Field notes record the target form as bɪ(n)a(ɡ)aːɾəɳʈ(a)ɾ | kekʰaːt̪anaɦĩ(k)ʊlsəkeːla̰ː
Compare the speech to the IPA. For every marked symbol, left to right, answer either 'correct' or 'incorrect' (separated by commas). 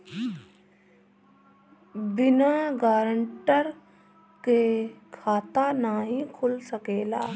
correct, correct, incorrect, incorrect